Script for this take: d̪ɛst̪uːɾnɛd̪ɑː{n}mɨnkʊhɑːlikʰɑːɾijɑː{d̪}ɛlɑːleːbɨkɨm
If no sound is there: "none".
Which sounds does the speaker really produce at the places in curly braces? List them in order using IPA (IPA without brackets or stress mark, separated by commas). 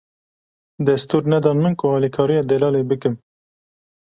n, d̪